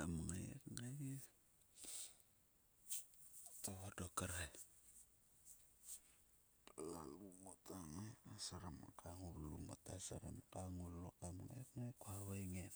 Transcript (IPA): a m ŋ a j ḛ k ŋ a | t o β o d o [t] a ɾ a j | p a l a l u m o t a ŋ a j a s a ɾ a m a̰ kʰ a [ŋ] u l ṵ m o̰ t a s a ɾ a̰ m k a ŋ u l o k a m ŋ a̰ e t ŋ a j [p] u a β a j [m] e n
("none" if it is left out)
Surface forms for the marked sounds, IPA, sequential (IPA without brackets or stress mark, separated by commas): k, ŋ, k, ŋ